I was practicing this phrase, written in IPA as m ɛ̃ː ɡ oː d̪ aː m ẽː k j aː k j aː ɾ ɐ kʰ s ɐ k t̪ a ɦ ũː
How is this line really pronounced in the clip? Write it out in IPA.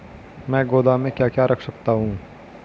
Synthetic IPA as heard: m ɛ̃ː ɡ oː d̪ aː m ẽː k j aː k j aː ɾ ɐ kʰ s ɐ k t̪ a ɦ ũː